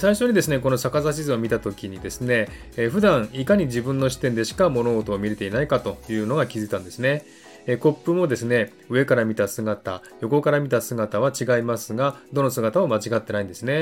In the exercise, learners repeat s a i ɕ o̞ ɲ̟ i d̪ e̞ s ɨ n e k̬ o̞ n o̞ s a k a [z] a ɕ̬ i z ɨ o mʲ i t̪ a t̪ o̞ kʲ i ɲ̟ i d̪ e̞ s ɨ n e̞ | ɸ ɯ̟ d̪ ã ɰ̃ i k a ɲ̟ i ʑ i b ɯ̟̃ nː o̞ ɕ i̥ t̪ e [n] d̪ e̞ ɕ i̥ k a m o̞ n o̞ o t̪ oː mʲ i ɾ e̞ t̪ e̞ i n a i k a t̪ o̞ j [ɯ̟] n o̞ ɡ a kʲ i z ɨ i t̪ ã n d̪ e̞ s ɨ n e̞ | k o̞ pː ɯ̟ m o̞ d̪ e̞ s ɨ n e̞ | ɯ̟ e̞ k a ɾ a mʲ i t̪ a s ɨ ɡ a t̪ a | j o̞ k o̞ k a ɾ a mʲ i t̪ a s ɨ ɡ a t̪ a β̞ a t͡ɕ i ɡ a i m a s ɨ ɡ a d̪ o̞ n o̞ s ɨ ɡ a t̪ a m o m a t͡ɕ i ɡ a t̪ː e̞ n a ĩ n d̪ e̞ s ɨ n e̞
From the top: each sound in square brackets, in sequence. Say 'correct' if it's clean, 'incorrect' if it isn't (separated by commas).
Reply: correct, correct, incorrect